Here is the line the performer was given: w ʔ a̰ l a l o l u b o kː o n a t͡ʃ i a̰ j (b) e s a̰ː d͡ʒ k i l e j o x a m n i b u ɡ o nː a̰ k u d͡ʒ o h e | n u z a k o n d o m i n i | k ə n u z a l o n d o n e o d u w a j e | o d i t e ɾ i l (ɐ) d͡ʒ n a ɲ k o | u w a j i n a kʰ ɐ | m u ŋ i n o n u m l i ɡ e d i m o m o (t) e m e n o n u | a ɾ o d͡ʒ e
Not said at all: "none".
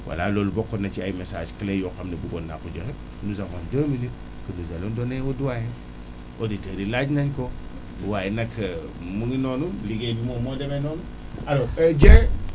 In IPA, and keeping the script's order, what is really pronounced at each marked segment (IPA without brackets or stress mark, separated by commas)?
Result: m, a, d